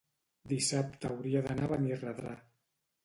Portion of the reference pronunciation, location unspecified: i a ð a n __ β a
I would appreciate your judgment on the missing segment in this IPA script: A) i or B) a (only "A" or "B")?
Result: B